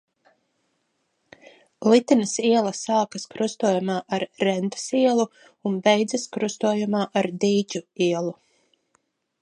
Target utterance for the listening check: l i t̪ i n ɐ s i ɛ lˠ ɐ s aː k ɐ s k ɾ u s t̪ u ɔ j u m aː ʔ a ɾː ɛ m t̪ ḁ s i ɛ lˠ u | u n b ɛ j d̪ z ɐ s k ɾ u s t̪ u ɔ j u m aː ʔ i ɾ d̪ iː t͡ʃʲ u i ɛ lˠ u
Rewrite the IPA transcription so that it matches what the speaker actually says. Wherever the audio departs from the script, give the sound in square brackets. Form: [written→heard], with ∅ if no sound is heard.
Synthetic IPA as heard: l i t̪ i n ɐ s i ɛ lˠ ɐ s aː k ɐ s k ɾ u s t̪ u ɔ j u m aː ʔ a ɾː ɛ [m→n] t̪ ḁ s i ɛ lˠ u | u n b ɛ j d̪ z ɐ s k ɾ u s t̪ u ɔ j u m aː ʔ [i→a] ɾ d̪ iː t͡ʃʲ u i ɛ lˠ u